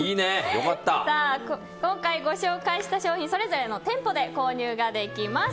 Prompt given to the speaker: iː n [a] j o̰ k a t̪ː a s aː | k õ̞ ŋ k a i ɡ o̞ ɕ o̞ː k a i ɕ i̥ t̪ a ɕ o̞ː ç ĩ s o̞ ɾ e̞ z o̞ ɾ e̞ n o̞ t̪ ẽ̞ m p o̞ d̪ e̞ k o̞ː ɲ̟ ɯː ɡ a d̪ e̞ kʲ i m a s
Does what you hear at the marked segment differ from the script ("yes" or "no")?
yes